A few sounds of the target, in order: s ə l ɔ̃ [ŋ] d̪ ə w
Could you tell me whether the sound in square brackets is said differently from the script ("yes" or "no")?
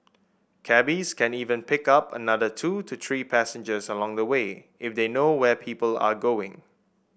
no